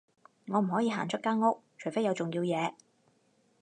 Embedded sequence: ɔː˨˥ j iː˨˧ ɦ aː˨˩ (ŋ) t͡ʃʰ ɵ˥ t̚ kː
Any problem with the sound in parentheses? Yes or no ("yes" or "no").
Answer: yes